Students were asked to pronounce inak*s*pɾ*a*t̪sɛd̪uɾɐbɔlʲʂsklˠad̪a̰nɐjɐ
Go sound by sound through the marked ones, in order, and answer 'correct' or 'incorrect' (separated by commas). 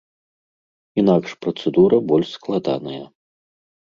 incorrect, incorrect